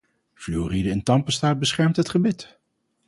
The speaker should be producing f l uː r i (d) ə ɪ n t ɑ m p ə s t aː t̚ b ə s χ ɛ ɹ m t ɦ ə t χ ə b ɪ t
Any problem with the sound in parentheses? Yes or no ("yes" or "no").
no